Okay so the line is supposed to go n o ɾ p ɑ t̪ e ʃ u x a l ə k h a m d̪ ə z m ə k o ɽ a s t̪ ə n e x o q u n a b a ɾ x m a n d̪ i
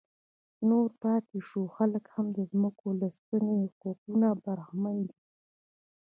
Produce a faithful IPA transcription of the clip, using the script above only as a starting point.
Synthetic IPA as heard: n o ɾ p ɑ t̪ e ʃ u x a l ə k h a m d̪ ə z m ə k o l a s t̪ ə n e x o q u n a b a ɾ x m a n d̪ i